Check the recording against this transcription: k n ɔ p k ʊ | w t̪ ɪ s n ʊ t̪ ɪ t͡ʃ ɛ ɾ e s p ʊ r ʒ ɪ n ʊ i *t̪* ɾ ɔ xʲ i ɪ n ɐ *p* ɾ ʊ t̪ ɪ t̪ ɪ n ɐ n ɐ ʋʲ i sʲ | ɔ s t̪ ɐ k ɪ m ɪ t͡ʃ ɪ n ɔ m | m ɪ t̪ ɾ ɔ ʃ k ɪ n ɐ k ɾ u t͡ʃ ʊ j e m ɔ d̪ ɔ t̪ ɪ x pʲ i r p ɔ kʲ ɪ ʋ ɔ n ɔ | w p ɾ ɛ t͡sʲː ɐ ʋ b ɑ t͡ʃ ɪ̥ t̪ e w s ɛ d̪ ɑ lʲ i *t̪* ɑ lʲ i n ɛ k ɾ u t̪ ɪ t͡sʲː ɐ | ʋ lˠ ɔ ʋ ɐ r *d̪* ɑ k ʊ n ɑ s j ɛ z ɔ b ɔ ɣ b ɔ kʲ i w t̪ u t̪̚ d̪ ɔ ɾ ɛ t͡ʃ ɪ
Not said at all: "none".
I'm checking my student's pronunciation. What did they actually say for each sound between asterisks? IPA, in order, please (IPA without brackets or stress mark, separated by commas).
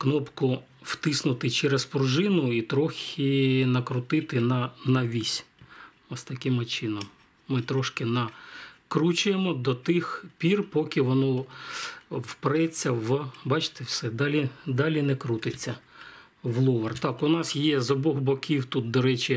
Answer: t̪, k, d̪, t̪